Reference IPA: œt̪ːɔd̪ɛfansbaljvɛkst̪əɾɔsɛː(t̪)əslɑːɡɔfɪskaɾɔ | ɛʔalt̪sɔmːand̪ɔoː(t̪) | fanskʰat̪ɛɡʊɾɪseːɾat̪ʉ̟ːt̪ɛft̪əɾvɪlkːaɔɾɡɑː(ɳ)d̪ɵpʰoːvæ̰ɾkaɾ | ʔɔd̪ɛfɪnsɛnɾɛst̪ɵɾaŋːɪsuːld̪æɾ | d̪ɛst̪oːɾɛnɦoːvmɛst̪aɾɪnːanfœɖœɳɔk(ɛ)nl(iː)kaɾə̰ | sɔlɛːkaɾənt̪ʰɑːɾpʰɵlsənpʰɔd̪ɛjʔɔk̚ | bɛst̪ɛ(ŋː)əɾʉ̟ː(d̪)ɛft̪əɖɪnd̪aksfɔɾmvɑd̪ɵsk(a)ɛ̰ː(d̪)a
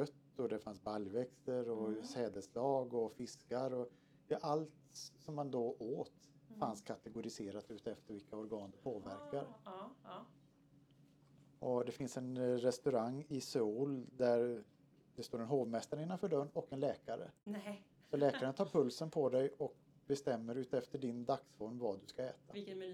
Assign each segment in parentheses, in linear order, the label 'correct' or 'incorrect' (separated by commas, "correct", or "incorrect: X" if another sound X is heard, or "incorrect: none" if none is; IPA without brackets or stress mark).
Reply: incorrect: d̪, correct, incorrect: n, correct, incorrect: ɛː, incorrect: mː, incorrect: t̪, correct, incorrect: t̪